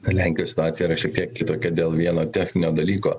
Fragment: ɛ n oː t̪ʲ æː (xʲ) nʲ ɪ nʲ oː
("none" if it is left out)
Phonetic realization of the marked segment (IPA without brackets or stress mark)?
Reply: xʲ